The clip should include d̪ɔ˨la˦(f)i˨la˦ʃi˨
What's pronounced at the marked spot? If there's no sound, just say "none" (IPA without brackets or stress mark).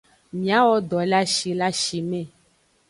ʃ